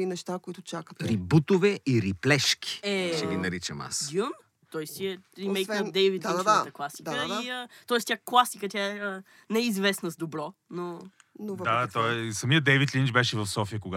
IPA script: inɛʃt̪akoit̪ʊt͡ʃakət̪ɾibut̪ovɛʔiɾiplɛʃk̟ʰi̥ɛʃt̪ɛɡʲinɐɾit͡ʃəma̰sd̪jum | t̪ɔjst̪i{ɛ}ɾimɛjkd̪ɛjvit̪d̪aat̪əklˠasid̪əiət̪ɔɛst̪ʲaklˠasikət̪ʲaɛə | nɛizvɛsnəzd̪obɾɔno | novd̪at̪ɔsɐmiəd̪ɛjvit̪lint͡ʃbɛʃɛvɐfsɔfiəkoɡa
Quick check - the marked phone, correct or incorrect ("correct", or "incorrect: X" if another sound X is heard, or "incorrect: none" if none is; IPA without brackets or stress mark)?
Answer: correct